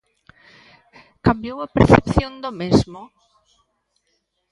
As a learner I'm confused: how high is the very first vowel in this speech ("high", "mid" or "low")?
low